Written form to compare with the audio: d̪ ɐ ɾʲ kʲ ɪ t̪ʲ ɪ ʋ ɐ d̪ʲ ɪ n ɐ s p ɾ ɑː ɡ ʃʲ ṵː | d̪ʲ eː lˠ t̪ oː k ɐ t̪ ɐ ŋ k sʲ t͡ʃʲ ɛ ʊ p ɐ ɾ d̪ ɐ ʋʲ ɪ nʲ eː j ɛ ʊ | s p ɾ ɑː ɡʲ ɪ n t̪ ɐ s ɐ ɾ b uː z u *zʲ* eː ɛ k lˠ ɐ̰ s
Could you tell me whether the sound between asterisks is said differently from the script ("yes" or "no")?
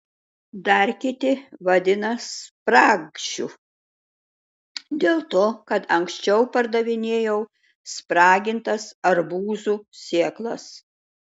yes